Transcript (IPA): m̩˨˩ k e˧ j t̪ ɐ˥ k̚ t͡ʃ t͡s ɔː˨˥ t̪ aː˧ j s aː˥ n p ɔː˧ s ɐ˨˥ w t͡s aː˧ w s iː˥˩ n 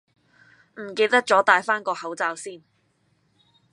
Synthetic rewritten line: m̩˨˩ k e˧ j t̪ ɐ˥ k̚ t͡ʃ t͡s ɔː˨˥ t̪ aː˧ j f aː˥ n k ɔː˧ h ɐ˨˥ w t͡s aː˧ w s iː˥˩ n